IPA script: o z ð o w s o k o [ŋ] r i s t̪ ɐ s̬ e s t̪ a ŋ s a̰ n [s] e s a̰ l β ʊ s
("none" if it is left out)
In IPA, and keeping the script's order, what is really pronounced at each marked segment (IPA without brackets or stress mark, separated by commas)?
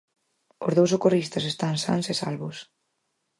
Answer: none, s